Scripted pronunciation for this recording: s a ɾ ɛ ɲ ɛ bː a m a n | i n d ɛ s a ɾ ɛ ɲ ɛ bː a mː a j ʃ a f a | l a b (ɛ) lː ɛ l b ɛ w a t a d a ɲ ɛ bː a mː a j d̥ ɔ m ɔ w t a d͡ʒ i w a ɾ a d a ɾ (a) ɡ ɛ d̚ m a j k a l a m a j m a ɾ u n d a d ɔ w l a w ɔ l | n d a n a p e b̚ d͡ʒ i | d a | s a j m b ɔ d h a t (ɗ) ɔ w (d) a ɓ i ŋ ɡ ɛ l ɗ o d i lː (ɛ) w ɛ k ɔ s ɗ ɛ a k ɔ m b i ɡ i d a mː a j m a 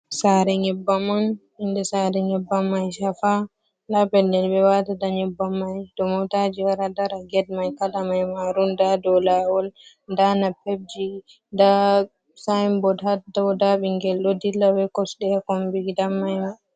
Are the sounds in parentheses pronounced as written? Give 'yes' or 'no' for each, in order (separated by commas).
yes, yes, no, yes, no